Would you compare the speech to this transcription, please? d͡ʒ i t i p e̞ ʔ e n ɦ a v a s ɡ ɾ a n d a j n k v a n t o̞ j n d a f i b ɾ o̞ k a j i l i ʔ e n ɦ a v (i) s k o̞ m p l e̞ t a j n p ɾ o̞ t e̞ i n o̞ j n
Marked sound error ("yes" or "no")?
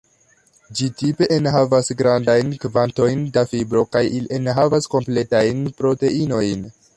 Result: yes